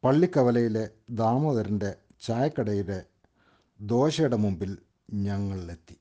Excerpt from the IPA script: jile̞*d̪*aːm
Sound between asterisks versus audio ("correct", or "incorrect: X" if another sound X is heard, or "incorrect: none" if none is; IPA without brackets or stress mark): correct